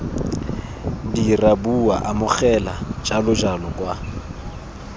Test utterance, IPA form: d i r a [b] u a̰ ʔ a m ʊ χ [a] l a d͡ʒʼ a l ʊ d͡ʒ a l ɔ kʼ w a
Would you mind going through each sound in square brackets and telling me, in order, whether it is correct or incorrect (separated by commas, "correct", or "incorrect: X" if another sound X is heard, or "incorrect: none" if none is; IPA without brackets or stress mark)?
correct, incorrect: ɛ